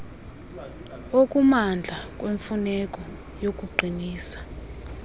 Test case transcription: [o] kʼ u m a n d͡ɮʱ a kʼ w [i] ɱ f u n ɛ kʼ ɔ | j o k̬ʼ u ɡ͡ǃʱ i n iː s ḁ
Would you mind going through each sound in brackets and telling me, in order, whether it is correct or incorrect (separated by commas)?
correct, incorrect